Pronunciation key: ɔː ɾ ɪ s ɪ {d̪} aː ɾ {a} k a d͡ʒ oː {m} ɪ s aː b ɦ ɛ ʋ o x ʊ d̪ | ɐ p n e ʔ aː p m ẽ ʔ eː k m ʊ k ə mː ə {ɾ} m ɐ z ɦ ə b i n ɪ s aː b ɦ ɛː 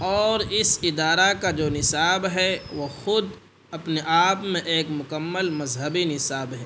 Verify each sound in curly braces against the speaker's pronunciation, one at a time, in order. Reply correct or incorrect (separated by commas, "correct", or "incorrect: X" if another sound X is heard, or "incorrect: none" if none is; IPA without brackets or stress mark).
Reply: correct, correct, incorrect: n, incorrect: l